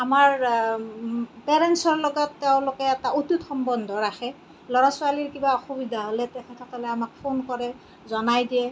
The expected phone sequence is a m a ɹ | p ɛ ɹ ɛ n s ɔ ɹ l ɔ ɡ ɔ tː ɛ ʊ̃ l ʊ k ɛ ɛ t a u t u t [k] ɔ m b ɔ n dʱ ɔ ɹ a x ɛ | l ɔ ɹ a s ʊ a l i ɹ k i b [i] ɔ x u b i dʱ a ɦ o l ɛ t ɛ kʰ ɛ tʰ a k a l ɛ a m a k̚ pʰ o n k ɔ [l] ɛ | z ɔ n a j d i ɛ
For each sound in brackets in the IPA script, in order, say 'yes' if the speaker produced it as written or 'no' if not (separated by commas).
no, no, no